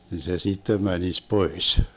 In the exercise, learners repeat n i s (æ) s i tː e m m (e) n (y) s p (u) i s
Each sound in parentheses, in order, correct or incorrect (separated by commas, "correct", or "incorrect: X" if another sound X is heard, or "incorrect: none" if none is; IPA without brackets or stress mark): incorrect: e, incorrect: æ, incorrect: i, incorrect: o